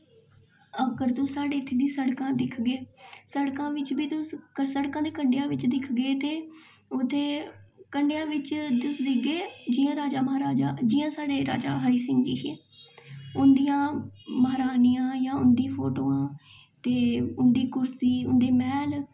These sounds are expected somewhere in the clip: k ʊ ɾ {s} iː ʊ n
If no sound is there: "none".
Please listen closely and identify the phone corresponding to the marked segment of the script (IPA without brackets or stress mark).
s